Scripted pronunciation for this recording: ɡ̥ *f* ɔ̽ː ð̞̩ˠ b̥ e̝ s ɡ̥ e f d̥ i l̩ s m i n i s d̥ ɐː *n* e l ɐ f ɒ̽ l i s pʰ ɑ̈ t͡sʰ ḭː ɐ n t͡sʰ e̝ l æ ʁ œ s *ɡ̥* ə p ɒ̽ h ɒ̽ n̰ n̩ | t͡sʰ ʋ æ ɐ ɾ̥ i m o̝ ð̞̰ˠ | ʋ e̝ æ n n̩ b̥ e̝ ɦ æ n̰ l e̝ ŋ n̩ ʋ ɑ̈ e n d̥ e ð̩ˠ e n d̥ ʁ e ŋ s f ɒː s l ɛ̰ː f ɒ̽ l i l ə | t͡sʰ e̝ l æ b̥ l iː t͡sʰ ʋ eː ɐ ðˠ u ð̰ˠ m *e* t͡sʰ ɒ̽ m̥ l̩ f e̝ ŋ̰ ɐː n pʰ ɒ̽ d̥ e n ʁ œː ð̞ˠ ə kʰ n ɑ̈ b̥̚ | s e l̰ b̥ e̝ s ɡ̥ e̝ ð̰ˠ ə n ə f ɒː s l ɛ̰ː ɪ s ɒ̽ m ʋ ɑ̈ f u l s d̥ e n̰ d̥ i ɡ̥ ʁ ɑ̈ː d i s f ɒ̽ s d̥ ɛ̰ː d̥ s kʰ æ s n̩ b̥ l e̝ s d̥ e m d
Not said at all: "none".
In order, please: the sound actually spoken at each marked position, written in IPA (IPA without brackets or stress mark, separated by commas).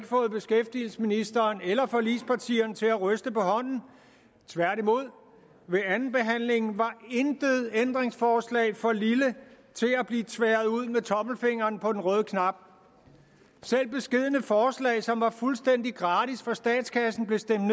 f, n, d̥, e